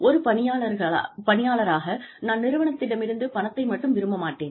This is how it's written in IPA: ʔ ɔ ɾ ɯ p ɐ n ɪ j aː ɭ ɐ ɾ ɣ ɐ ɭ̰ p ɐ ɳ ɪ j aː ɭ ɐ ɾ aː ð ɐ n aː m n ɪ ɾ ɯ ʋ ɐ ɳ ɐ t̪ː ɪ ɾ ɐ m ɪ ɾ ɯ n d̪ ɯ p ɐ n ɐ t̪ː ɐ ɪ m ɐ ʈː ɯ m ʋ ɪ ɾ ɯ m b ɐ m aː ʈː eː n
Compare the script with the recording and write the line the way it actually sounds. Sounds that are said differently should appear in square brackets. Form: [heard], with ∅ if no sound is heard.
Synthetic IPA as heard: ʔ ɔ ɾ ɯ p ɐ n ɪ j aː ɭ ɐ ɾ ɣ ɐ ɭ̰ p ɐ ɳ ɪ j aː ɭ ɐ ɾ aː [ɣ] ɐ n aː [n] n ɪ ɾ ɯ ʋ ɐ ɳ ɐ t̪ː ɪ [ɽ] ɐ m ɪ ɾ ɯ n d̪ ɯ p ɐ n ɐ t̪ː ɐ ɪ m ɐ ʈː ɯ m ʋ ɪ ɾ ɯ m b ɐ m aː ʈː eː n